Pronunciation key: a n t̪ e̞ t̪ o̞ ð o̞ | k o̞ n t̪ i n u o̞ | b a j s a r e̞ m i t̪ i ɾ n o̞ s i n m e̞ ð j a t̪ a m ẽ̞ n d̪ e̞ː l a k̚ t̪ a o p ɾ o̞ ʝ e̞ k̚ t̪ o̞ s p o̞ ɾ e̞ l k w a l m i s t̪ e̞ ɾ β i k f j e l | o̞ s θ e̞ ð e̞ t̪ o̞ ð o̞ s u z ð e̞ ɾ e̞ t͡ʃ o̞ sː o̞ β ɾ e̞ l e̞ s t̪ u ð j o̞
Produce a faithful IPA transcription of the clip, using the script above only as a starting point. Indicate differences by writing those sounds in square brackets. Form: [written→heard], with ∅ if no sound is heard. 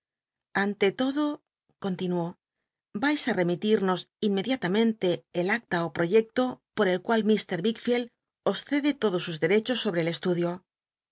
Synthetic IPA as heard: a n t̪ e̞ t̪ o̞ ð o̞ | k o̞ n t̪ i n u o̞ | b a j s a r e̞ m i t̪ i ɾ n o̞ s i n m e̞ ð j a t̪ a m ẽ̞ n [d̪→t̪] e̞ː l a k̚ t̪ a o p ɾ o̞ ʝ e̞ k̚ t̪ o̞ [s→∅] p o̞ ɾ e̞ l k w a l m i s t̪ e̞ ɾ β i k f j e l | o̞ s θ e̞ ð e̞ t̪ o̞ ð o̞ s u z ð e̞ ɾ e̞ t͡ʃ o̞ sː o̞ β ɾ e̞ l e̞ s t̪ u ð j o̞